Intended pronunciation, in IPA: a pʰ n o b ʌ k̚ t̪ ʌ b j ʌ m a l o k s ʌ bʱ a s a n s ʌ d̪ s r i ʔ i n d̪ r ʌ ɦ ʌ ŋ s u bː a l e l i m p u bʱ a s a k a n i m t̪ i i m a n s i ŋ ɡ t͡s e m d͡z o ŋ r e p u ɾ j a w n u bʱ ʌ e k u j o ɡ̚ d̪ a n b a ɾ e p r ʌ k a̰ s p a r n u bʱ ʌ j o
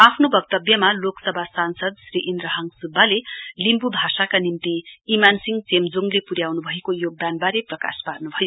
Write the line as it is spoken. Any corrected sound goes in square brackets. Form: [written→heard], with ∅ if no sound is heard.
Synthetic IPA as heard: a pʰ n o b ʌ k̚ t̪ ʌ b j ʌ m a l o k s ʌ bʱ a s a n s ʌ d̪ s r i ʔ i n d̪ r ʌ ɦ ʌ ŋ s u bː a l e l i m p u bʱ a s a k a n i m t̪ i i m a n s i ŋ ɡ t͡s e m d͡z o ŋ [r→l] e p u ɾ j a w n u bʱ ʌ e k [u→o] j o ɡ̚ d̪ a n b a ɾ e p r ʌ k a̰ s p a r n u bʱ ʌ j o